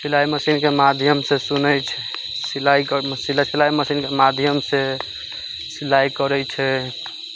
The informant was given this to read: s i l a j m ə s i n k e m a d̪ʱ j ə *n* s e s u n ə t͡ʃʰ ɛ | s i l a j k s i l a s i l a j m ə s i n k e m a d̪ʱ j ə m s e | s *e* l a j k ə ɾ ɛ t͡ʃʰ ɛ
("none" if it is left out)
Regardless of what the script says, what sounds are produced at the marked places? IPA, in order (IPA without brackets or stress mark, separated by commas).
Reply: m, i